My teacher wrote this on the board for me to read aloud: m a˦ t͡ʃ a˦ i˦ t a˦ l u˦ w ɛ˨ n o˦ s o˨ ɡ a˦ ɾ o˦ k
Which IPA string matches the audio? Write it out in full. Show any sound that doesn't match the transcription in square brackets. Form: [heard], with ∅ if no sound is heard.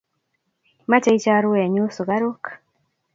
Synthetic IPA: m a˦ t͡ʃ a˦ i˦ [t͡ʃ] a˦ [ɾ] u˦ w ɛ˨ [ɲ] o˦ s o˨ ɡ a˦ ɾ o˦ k